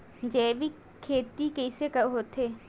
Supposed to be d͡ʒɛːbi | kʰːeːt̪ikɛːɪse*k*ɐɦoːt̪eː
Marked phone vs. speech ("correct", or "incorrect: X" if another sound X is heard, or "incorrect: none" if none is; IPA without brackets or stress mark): correct